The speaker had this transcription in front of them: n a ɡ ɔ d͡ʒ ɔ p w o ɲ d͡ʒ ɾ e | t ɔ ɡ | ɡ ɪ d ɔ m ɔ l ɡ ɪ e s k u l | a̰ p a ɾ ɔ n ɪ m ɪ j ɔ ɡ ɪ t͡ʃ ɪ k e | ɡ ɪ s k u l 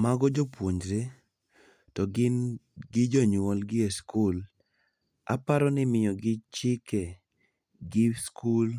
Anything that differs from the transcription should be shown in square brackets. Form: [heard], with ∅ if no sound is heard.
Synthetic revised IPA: [m] a ɡ ɔ d͡ʒ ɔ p w o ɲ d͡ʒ ɾ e | t ɔ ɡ | ɡ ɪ [d͡ʒ] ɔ [ɲ] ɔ l ɡ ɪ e s k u l | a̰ p a ɾ ɔ n ɪ m ɪ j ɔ ɡ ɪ t͡ʃ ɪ k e | ɡ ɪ s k u l